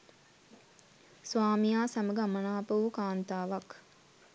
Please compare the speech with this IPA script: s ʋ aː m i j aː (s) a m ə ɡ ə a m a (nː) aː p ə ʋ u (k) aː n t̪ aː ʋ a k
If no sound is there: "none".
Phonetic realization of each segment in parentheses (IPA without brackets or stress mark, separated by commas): s, n, k